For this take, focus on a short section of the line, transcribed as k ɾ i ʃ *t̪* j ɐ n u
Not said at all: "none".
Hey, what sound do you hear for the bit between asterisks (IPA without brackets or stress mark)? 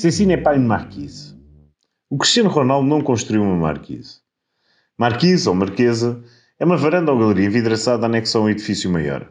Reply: t̪